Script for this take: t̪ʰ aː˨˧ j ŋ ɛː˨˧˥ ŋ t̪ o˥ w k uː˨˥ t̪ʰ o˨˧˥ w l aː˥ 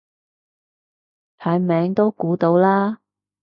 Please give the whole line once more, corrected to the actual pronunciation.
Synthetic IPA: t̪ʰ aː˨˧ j m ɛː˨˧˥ ŋ t̪ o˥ w k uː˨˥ t̪ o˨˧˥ w l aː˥